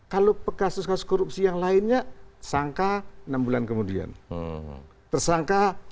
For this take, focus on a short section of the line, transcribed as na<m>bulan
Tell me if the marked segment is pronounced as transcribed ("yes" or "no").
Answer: yes